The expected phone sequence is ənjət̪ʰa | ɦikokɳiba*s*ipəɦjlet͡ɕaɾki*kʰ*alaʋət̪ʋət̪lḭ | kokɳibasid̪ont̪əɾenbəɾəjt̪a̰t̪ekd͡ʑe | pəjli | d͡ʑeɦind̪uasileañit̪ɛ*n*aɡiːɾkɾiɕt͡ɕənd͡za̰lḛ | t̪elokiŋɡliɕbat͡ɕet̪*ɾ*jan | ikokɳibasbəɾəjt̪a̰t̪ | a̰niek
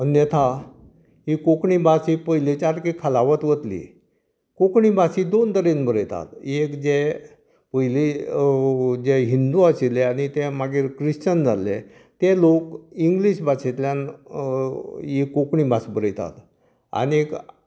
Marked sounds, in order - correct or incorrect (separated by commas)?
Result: correct, correct, incorrect, incorrect